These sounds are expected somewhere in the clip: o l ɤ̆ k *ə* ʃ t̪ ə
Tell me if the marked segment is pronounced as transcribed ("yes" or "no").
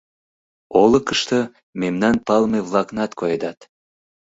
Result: yes